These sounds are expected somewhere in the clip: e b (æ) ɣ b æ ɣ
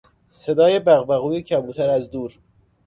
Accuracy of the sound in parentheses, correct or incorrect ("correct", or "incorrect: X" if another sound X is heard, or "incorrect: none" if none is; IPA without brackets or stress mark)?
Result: correct